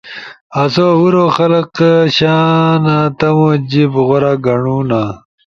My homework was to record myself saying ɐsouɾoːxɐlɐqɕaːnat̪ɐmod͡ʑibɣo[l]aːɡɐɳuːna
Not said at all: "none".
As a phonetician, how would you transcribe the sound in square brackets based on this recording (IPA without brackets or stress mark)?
ɾ